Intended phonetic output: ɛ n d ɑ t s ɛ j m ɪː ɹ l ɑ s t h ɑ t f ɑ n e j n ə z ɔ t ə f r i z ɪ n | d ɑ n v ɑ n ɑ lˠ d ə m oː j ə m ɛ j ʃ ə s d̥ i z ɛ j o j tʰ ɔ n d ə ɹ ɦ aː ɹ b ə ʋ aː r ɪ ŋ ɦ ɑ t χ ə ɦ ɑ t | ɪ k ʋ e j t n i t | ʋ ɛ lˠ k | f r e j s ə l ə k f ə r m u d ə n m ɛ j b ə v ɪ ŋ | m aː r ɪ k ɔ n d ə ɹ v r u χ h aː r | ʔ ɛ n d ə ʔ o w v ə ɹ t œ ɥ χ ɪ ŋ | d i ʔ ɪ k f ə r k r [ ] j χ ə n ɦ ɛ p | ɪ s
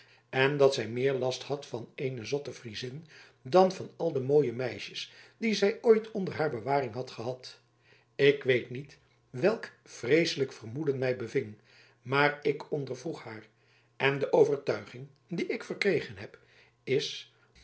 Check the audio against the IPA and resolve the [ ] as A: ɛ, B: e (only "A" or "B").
B